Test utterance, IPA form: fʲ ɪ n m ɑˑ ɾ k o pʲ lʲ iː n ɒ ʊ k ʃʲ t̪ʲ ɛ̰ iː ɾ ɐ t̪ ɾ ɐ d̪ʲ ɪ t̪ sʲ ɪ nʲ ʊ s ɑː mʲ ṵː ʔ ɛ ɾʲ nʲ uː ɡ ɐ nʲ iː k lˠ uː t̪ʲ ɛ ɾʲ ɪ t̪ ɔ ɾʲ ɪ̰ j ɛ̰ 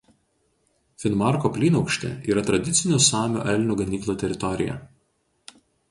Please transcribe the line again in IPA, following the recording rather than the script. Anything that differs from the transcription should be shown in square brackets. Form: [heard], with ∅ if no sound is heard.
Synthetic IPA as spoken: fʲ ɪ n m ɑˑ ɾ k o pʲ lʲ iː n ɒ ʊ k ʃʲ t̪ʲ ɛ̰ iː ɾ ɐ t̪ ɾ ɐ d̪ʲ ɪ t̪ sʲ ɪ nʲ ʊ s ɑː mʲ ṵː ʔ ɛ [lʲ] nʲ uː ɡ ɐ nʲ iː k lˠ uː t̪ʲ ɛ ɾʲ ɪ t̪ ɔ ɾʲ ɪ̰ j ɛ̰